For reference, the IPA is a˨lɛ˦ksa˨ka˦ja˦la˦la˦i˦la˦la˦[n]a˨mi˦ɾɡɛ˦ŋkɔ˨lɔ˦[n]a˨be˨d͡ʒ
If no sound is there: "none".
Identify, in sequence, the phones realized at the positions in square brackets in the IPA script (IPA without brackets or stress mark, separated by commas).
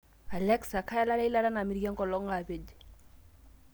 n, ŋ